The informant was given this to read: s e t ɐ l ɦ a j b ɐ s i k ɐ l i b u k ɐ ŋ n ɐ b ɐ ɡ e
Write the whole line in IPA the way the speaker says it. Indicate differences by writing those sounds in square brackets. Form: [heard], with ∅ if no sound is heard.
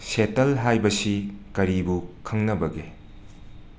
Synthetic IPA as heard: s e t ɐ l ɦ a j b ɐ s i k ɐ [ɾ] i b u [kʰ] ɐ ŋ n ɐ b ɐ ɡ e